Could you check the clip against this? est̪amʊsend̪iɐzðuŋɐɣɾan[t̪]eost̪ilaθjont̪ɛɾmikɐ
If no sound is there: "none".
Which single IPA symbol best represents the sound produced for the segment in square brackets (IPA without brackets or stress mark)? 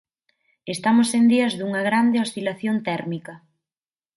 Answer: d̪